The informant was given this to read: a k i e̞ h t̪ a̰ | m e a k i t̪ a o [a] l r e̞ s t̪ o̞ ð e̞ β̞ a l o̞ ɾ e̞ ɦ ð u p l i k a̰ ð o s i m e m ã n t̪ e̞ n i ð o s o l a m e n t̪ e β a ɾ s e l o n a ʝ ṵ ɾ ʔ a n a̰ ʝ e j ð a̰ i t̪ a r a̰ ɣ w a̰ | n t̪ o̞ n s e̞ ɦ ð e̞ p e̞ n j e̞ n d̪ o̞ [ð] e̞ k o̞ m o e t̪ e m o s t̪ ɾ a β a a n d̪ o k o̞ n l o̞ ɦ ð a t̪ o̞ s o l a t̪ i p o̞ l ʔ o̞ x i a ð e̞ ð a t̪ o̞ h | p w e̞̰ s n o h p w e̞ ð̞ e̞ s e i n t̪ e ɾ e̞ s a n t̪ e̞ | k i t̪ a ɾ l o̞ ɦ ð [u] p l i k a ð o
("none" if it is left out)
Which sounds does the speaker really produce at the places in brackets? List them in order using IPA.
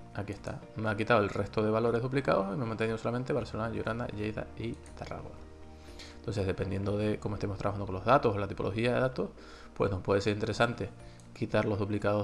e, ð, u

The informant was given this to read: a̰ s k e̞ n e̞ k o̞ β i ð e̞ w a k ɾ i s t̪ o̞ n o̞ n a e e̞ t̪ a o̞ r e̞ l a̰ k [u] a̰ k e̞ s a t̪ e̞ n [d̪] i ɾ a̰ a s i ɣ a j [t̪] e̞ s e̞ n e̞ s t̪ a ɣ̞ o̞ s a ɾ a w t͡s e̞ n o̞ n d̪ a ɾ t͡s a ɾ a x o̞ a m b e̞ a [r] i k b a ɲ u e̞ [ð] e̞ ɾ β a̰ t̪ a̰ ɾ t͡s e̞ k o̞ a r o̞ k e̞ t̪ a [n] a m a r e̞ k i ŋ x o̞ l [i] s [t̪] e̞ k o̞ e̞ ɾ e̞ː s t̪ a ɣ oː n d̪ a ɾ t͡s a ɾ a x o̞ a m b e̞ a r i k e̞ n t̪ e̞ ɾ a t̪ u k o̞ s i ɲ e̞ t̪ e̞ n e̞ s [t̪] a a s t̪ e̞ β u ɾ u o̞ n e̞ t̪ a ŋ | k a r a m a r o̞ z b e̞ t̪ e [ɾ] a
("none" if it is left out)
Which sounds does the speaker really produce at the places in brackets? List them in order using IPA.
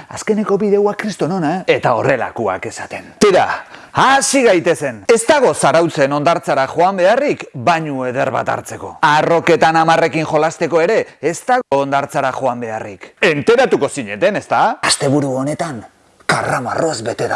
u, t̪, t̪, r, ð, n, a, t̪, t̪, ɾ

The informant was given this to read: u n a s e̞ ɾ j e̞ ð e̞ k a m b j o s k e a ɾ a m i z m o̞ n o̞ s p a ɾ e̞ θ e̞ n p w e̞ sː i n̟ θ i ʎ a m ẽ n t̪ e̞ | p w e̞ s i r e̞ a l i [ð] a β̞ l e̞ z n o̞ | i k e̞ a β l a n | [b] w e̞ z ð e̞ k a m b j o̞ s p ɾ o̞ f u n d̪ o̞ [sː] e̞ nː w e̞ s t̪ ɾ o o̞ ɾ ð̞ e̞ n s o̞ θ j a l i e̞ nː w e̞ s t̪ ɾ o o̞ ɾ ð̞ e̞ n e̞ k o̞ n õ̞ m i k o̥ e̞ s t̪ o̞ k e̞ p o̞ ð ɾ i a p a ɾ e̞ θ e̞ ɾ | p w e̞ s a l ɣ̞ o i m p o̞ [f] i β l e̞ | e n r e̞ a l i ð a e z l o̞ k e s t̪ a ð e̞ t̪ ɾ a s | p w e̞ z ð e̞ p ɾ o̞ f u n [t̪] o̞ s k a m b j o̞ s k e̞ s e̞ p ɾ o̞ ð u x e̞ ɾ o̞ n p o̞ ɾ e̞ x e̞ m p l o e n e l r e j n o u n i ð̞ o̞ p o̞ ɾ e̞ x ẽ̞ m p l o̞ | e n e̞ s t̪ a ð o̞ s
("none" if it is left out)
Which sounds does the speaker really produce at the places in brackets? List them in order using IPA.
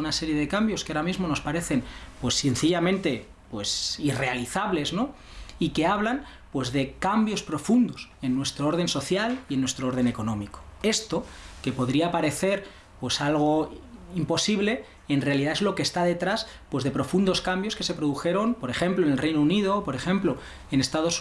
θ, p, s, s, d̪

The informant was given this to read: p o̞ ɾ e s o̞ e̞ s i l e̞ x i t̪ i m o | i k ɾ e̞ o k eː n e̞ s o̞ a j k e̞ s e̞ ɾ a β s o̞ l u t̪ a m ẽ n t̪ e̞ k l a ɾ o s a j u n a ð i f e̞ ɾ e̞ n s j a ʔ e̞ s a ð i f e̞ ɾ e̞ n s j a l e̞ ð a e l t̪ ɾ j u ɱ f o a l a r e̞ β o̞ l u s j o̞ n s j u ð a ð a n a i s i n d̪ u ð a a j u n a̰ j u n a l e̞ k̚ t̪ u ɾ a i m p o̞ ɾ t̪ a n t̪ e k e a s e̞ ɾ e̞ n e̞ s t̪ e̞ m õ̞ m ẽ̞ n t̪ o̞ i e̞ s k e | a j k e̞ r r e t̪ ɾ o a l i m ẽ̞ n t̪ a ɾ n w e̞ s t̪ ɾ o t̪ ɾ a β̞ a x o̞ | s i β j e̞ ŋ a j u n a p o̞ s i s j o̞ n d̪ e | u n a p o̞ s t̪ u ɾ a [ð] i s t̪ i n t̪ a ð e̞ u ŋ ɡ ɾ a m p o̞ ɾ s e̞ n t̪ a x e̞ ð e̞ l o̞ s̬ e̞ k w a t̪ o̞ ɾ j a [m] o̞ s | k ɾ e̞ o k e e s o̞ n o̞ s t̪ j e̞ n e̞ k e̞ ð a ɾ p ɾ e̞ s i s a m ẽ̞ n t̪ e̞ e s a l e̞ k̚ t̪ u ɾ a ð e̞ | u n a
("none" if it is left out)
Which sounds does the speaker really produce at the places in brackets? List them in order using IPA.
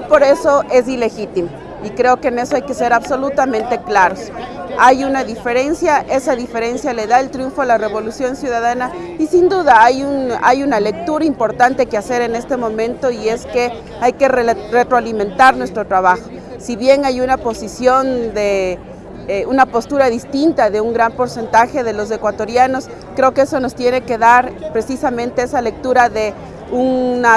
ð, n

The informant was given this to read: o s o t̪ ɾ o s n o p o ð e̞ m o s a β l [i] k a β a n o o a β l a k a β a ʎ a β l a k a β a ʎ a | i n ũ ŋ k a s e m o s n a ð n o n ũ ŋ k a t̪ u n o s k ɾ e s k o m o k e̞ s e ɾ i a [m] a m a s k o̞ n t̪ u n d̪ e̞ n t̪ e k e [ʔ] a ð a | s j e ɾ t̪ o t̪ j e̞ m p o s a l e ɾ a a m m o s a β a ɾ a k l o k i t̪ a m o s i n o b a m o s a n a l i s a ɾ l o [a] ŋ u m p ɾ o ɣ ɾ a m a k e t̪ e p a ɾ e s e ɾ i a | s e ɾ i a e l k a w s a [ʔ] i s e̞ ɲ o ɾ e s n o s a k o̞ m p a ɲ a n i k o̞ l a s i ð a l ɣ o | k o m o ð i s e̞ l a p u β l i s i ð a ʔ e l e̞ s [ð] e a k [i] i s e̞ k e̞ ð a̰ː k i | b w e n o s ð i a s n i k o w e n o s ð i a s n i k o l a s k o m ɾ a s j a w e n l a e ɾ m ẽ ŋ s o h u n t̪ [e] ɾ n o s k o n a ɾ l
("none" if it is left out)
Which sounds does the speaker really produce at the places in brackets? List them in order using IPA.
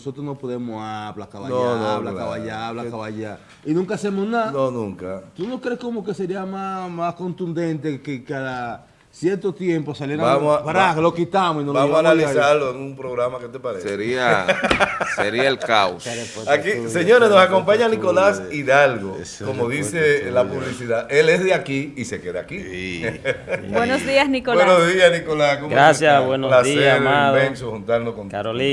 a, m, k, e, k, ð, i, a

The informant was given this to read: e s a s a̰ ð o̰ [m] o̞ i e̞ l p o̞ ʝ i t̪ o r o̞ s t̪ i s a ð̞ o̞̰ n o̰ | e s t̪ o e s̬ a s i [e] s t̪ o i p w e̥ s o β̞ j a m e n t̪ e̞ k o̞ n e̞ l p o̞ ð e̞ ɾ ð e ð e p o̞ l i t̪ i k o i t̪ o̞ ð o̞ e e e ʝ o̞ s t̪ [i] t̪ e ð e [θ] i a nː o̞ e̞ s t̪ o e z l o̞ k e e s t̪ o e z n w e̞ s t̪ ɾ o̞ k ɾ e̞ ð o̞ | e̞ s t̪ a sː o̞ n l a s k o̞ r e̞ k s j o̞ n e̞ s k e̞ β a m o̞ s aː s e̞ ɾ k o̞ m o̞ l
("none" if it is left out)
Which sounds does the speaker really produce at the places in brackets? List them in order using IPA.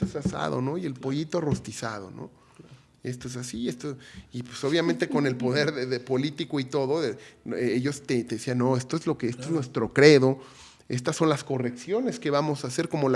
n, e, e, s

